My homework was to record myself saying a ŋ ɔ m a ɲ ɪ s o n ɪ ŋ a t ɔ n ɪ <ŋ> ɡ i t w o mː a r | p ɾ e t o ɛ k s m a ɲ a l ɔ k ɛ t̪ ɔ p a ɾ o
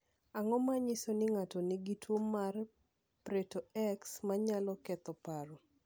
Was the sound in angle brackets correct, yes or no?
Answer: no